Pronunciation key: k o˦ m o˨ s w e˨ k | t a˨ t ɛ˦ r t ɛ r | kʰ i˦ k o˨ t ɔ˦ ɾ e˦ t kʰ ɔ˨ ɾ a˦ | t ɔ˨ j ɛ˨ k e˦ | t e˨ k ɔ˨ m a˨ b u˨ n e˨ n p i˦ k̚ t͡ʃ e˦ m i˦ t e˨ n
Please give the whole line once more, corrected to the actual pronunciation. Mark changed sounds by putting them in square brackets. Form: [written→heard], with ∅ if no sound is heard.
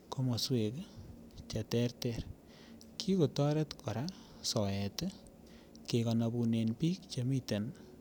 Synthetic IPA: k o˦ m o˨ s w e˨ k | [t→t͡ʃ] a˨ t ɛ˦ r t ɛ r | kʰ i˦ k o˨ t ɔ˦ ɾ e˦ t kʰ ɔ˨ ɾ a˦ | [t→s] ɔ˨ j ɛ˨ [k→t] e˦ | [t→k] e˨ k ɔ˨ [m→n] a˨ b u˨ n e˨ n p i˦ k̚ t͡ʃ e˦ m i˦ t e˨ n